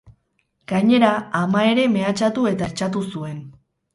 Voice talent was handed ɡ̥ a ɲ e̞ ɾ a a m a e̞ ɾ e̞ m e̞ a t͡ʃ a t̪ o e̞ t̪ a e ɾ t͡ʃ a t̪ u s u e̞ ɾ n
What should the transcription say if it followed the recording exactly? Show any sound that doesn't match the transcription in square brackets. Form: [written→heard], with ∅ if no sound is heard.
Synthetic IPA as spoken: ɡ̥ a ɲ e̞ ɾ a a m a e̞ ɾ e̞ m e̞ a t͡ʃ a t̪ [o→u] e̞ t̪ a e ɾ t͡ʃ a t̪ u s u e̞ [ɾ→∅] n